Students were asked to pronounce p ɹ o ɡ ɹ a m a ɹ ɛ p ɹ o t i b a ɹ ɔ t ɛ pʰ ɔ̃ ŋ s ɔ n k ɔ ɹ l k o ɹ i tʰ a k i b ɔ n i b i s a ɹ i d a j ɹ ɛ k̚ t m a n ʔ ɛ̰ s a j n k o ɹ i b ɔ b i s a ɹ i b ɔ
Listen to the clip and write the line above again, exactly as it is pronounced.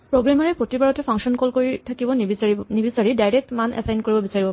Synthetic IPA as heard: p ɹ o ɡ ɹ a m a ɹ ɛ p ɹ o t i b a ɹ ɔ t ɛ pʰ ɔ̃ ŋ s ɔ n k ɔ l k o ɹ i tʰ a k i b ɔ n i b i s a ɹ i d a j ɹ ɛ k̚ t m a n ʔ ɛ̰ s a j n k o ɹ i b ɔ b i s a ɹ i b ɔ